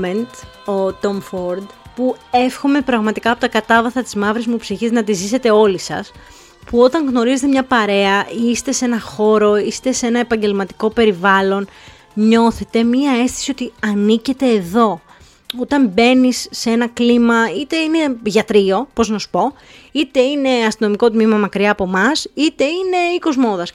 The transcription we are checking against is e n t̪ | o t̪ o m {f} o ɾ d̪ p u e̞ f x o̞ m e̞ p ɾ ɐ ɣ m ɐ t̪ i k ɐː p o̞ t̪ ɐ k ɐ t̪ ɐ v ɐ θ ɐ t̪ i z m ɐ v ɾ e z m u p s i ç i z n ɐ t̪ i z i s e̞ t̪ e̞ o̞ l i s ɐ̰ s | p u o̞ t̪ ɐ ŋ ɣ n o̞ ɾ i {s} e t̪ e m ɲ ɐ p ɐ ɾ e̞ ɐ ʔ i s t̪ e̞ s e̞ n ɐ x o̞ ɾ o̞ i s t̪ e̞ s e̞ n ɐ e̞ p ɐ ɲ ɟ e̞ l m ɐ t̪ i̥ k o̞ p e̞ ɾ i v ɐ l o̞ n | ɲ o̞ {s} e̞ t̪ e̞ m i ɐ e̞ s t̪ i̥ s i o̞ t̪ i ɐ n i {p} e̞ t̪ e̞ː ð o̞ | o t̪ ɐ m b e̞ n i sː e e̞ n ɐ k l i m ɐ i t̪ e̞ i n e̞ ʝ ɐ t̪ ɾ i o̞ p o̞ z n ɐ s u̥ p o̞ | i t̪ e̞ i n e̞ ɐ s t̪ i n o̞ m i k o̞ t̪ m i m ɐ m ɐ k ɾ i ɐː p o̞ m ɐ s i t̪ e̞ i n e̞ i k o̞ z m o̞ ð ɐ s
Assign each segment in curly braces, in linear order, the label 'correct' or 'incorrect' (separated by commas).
correct, incorrect, incorrect, incorrect